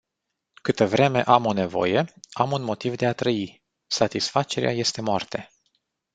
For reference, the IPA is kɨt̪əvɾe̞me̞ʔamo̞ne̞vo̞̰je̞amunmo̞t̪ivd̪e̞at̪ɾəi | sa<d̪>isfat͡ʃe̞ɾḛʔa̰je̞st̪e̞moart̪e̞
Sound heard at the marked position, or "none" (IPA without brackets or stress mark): t̪